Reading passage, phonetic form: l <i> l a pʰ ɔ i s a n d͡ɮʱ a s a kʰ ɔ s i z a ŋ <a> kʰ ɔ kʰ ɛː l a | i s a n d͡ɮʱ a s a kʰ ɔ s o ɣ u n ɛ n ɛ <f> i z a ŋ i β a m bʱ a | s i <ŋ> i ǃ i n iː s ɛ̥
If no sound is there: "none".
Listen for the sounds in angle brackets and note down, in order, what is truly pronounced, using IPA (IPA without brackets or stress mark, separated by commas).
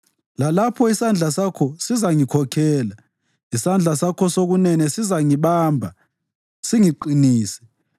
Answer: a, i, s, ŋ